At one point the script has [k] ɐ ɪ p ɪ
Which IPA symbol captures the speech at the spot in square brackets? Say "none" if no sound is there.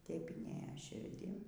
t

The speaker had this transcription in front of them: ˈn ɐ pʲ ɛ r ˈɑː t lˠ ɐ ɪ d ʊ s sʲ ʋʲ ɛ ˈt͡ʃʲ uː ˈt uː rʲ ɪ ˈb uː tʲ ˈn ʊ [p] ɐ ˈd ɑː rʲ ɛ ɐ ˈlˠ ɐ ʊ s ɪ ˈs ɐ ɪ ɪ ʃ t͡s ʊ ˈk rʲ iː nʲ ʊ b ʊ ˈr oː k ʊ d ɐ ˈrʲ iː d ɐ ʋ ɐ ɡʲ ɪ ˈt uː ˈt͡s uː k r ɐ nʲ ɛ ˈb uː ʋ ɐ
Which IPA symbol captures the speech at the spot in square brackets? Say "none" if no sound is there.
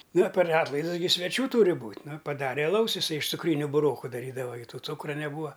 p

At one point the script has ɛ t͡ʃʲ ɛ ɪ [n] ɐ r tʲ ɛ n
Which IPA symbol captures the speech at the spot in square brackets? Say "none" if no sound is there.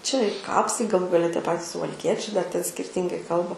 d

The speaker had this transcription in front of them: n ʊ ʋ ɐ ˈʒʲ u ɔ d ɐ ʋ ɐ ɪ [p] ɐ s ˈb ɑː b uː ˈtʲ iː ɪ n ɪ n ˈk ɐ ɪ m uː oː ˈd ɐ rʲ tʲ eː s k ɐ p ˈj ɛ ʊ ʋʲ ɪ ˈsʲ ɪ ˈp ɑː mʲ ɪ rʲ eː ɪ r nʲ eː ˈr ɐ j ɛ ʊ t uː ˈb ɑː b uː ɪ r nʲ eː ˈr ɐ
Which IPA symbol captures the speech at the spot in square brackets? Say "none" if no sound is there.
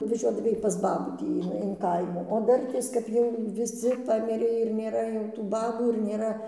p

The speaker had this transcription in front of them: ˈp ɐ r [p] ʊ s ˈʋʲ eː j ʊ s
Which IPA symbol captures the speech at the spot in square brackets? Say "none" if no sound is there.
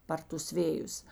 t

